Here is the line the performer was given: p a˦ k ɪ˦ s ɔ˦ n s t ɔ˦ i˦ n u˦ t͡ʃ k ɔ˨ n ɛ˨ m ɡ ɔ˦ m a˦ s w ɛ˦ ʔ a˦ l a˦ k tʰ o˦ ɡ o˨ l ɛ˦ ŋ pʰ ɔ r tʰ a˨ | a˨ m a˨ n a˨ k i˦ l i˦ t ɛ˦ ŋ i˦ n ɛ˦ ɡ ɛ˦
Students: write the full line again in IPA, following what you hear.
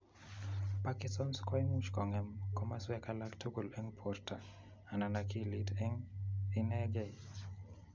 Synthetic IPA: p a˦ k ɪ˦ s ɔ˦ n s k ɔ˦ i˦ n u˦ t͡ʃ k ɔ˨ ŋ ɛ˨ m k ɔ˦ m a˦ s w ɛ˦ k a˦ l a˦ k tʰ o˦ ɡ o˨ l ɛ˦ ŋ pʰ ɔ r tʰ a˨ | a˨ n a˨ n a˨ k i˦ l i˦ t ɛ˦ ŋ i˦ n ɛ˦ ɡ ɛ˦